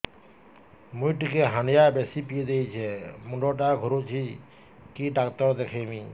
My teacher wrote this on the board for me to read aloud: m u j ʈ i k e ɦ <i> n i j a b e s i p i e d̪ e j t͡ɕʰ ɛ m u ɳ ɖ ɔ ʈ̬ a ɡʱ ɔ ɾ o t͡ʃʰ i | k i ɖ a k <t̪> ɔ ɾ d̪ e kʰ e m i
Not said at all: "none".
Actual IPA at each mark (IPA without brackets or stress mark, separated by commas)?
a, t̪